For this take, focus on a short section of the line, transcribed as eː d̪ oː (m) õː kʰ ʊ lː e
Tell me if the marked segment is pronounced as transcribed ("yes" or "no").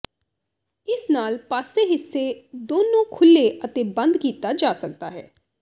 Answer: no